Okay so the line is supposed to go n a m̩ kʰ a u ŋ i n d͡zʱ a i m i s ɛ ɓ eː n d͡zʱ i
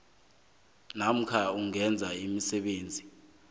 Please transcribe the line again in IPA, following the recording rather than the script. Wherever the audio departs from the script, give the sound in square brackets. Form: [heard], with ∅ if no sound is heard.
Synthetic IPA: n a m̩ kʰ a u ŋ [ɛ] n d͡zʱ a i m i s ɛ ɓ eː n d͡zʱ i